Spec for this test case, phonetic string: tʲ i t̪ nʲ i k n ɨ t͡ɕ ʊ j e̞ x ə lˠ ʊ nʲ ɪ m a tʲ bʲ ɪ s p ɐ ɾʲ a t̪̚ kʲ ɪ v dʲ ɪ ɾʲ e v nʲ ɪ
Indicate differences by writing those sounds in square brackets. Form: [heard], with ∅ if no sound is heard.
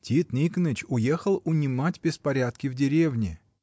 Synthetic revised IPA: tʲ i t̪ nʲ i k n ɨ t͡ɕ ʊ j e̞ x ə lˠ ʊ nʲ ɪ m a tʲ bʲ ɪ s p ɐ ɾʲ a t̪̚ kʲ ɪ v dʲ ɪ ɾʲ e v nʲ ɪ